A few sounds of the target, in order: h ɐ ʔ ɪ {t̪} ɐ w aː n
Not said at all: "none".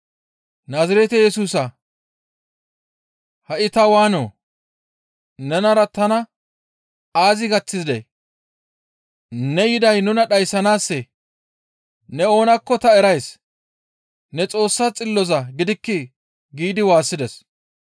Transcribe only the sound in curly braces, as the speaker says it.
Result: t̪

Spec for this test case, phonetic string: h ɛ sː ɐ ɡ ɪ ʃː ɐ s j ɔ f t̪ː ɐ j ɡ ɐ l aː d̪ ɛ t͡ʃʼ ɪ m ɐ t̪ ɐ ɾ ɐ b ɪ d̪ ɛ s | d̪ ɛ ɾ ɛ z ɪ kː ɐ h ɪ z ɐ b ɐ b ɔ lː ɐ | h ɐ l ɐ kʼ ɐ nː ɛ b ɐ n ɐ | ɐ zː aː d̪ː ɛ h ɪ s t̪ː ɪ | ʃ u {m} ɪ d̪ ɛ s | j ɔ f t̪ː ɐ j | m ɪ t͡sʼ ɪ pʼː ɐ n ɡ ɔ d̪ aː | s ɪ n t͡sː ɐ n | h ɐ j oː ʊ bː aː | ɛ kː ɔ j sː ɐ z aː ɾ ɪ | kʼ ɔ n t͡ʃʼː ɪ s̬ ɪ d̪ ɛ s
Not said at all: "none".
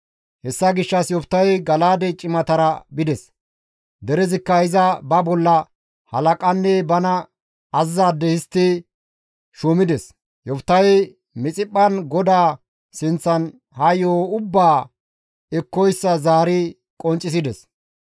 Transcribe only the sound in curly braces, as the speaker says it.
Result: m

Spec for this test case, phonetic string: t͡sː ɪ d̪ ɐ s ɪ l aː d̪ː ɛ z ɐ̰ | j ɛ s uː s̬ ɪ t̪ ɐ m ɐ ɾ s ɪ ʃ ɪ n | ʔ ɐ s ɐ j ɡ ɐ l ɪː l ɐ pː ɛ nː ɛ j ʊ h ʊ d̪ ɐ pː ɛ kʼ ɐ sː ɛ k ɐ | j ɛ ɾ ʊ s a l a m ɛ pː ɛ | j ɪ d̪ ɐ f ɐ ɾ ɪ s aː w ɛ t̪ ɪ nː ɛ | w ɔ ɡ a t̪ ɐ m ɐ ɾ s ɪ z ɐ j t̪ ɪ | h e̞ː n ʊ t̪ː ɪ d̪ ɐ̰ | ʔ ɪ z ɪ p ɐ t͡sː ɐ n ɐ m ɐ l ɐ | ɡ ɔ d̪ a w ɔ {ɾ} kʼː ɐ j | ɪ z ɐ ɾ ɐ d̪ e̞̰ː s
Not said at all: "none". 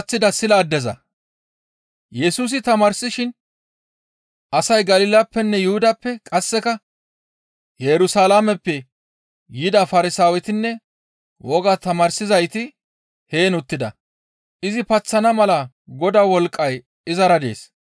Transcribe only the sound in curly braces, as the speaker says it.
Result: l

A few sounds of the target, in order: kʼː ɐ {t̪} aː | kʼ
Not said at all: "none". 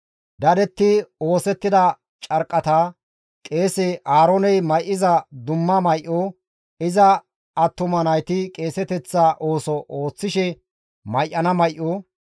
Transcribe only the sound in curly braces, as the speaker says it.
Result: t̪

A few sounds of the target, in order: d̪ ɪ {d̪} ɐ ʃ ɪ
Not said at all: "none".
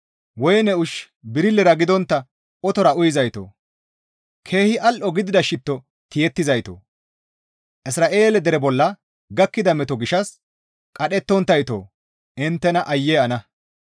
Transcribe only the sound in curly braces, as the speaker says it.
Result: d̪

